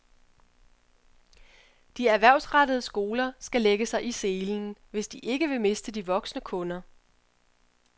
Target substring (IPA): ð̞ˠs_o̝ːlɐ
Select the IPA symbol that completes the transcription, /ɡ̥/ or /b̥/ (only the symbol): ɡ̥